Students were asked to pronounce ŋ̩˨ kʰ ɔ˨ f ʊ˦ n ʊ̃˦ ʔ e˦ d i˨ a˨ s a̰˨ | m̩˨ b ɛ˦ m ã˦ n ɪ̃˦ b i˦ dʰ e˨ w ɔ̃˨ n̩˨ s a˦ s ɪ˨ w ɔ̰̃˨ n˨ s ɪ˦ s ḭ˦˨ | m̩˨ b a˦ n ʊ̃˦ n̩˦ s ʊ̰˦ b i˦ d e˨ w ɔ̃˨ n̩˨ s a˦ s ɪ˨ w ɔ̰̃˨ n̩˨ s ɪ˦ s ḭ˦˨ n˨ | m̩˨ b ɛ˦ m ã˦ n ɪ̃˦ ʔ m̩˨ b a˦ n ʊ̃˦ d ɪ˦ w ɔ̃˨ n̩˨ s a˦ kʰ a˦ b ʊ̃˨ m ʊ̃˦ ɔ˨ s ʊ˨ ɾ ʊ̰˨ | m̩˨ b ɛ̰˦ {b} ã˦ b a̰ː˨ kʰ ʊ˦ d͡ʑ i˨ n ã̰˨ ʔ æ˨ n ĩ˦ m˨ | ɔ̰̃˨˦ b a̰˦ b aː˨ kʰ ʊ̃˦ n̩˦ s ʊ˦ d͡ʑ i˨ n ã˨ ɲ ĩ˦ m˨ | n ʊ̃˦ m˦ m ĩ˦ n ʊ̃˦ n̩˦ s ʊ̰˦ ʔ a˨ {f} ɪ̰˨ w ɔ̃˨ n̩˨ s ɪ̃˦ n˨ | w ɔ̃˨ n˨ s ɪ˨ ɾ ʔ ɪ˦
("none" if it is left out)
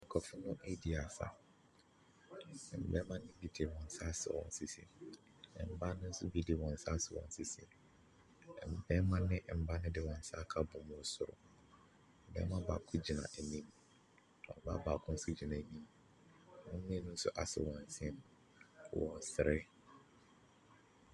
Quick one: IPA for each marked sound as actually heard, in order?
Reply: m, s

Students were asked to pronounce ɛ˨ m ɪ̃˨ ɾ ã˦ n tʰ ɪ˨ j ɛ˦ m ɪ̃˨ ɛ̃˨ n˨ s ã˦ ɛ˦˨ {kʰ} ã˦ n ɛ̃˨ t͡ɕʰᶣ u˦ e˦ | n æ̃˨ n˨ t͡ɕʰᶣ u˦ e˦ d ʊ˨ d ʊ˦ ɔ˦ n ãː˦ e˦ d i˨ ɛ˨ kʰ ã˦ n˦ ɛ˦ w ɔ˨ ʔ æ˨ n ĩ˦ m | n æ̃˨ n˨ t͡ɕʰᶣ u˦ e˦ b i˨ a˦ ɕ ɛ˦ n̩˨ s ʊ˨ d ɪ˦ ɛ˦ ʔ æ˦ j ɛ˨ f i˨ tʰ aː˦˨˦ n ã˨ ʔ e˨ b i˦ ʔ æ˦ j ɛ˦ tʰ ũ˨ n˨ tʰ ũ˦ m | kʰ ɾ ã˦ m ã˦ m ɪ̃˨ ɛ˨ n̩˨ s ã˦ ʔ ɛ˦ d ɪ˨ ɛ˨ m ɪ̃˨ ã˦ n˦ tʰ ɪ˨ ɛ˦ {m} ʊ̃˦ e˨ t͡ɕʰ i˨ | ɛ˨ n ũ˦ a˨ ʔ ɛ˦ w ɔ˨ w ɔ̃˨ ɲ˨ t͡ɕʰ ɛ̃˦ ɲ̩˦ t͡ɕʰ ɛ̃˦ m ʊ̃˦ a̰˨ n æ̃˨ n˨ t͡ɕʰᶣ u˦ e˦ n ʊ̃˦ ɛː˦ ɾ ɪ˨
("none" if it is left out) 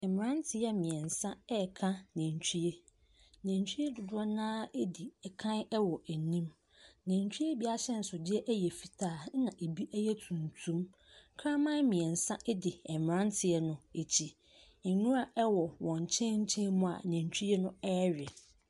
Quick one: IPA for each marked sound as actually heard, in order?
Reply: kʰ, n

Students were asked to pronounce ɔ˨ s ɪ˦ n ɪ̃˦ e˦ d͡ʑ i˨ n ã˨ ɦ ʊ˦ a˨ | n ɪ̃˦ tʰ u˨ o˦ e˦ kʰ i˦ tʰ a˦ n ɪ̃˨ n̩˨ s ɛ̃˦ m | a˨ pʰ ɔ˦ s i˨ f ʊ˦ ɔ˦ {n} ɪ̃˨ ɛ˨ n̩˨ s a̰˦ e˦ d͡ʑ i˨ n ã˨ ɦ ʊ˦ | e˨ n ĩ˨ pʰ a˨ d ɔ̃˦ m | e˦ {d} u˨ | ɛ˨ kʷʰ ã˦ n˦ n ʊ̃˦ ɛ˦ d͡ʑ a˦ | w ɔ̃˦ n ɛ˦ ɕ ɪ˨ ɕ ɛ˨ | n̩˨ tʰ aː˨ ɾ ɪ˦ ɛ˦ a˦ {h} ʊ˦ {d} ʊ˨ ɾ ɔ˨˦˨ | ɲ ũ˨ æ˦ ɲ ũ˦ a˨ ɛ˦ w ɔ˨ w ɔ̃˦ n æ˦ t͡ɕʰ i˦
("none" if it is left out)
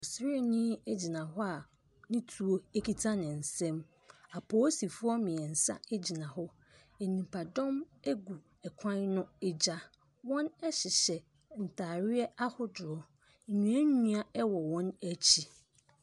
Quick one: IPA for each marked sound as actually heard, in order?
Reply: m, ɡ, h, d

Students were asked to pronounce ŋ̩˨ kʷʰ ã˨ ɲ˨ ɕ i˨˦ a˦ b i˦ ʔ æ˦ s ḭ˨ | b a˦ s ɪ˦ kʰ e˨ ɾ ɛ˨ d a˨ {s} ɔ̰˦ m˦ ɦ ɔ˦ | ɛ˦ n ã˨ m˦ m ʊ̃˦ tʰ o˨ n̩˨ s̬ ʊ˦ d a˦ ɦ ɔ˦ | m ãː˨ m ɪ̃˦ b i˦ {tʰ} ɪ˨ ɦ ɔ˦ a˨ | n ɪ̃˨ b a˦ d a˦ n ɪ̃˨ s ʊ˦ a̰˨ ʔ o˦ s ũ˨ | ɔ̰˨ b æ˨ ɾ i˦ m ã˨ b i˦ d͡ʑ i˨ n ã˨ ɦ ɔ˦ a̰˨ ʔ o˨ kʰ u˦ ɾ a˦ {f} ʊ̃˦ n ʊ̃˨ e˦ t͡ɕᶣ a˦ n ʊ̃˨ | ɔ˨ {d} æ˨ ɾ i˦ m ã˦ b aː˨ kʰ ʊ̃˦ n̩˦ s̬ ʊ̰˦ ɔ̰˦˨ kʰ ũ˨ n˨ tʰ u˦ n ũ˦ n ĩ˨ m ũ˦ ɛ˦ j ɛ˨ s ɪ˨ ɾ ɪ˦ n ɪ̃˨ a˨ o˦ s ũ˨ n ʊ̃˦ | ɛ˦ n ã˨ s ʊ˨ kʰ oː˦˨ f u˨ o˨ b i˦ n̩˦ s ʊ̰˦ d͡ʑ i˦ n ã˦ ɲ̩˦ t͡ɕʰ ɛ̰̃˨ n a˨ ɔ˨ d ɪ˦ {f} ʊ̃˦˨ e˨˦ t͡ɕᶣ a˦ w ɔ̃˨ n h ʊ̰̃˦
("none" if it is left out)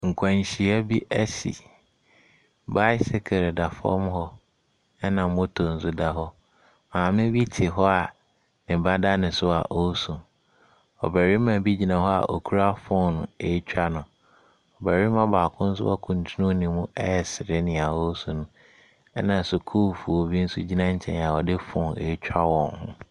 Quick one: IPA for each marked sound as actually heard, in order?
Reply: f, tʰ, f, b, f

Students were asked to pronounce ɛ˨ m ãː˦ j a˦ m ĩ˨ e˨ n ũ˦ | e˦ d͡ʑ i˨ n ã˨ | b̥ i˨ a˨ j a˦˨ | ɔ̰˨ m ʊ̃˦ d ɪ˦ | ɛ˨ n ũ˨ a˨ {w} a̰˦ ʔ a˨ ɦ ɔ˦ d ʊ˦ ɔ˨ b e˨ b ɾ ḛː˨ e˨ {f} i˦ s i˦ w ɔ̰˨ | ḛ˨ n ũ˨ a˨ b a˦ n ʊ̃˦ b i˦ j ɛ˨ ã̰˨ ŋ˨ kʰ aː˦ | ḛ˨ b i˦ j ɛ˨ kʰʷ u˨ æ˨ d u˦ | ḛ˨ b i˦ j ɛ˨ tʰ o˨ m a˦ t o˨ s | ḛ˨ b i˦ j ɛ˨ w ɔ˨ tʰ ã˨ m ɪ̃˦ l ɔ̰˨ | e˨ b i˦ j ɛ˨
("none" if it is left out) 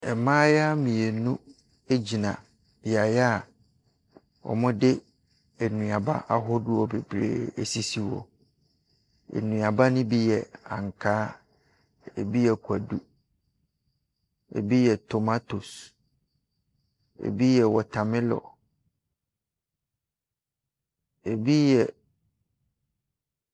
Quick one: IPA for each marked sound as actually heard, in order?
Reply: b, s

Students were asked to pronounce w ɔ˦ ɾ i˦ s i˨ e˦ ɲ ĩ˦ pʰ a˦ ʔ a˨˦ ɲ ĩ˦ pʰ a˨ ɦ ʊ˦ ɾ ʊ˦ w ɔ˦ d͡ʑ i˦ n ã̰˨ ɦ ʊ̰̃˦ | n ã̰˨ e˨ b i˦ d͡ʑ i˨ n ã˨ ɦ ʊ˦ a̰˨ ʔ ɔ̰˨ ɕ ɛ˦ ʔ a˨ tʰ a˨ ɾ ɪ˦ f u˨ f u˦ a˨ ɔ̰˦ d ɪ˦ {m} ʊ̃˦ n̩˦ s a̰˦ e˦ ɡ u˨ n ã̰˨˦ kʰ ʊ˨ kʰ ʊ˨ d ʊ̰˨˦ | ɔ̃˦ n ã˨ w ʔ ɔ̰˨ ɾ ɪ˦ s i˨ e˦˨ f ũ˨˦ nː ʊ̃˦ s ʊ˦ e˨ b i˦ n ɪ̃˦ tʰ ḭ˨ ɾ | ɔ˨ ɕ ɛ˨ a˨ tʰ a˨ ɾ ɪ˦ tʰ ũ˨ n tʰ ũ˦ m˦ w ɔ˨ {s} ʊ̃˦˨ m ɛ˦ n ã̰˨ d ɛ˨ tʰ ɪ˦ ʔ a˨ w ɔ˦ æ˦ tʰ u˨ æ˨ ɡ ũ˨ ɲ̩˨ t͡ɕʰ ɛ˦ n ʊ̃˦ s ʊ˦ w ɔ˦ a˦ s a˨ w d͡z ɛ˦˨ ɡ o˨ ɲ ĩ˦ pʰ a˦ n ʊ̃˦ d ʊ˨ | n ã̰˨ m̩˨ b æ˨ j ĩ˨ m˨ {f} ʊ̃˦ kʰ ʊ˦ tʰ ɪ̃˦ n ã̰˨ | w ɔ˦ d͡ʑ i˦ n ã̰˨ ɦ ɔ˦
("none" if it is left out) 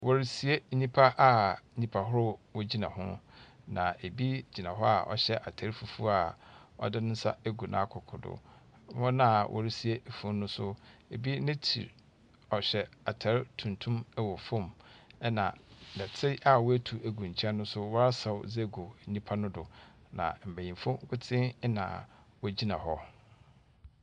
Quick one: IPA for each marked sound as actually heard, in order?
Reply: n, f, f

